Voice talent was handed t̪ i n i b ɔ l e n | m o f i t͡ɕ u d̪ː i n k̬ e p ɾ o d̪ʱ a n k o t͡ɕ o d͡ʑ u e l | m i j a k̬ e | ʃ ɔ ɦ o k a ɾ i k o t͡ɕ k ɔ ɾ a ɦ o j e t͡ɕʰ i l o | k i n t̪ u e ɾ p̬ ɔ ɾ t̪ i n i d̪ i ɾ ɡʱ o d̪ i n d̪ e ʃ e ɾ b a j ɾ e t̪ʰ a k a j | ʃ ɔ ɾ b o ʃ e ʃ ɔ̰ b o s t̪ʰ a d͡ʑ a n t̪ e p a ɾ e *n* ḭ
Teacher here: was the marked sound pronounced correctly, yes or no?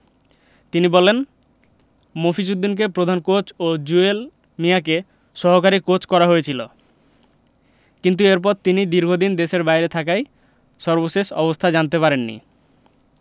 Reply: no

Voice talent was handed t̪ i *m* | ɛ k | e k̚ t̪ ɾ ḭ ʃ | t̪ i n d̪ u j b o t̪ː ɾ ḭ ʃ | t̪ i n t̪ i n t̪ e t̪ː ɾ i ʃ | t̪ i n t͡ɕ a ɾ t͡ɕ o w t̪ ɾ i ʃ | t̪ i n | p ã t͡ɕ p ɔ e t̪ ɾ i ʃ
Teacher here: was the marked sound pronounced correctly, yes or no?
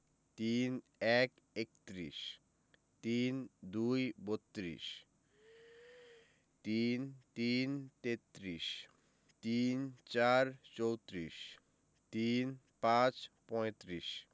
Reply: no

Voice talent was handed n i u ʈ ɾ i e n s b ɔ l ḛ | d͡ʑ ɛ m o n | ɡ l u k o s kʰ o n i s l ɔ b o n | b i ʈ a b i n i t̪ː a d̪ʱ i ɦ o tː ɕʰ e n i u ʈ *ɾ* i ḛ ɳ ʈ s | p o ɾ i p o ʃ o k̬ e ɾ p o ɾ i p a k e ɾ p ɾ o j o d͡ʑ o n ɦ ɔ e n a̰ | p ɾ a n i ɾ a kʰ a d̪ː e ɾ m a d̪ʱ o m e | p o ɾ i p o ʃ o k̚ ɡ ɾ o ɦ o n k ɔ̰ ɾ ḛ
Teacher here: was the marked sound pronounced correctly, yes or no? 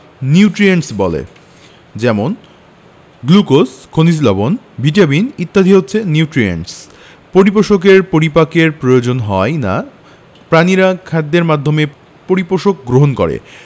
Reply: yes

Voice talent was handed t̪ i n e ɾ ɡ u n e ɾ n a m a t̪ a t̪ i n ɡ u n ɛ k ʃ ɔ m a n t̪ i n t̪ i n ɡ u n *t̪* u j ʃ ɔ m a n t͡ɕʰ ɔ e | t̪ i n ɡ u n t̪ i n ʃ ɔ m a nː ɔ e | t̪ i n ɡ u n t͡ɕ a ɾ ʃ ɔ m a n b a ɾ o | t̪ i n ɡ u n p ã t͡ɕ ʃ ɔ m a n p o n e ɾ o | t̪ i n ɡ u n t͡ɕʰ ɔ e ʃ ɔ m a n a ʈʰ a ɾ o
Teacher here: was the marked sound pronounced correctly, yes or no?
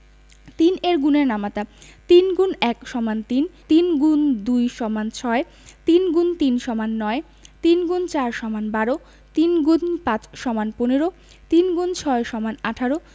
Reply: no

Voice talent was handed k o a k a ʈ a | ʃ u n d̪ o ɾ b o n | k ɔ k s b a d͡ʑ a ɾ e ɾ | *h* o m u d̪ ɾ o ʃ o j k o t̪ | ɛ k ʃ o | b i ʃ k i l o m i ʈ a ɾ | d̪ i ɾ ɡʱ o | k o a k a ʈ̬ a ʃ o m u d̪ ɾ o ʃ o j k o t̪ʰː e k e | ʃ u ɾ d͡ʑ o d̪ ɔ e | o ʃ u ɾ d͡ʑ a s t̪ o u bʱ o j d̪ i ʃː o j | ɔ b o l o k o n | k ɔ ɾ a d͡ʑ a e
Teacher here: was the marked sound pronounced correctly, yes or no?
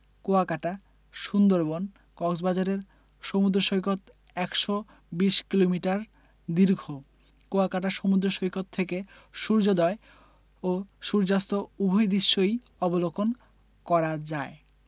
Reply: no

